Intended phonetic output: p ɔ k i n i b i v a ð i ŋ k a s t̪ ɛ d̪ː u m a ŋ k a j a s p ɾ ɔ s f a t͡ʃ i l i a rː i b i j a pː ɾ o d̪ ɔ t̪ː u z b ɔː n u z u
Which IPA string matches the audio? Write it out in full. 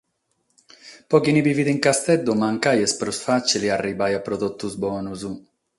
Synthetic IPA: p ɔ k i n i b i v i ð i ŋ k a s t̪ ɛ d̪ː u m a ŋ k a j ɛ s p ɾ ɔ s f a t͡ʃ i l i a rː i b a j a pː ɾ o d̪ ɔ t̪ː u z b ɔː n u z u